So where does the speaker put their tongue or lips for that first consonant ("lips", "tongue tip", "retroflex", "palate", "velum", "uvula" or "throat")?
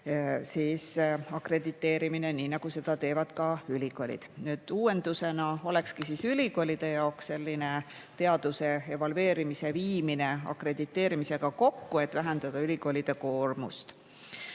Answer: tongue tip